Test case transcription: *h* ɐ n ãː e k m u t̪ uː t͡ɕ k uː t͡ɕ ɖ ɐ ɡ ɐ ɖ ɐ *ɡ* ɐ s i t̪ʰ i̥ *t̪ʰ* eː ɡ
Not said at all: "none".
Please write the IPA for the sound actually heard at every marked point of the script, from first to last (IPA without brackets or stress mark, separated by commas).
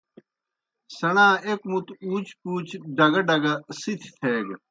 s, ɡ, t̪ʰ